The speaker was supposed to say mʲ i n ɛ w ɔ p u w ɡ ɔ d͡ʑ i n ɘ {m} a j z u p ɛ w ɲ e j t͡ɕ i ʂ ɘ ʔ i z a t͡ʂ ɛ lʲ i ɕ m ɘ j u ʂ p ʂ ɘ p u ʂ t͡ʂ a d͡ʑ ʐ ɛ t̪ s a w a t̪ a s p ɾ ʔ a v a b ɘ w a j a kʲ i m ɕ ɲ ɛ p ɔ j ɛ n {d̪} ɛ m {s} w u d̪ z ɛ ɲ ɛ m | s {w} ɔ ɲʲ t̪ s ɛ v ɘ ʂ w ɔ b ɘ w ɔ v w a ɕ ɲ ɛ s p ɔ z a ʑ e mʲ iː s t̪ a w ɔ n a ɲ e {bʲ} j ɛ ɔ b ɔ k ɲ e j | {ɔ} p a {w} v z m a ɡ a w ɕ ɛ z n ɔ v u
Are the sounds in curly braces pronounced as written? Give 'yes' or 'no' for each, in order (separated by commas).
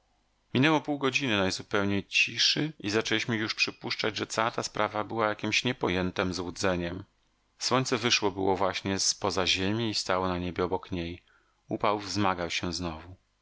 no, no, no, yes, yes, no, yes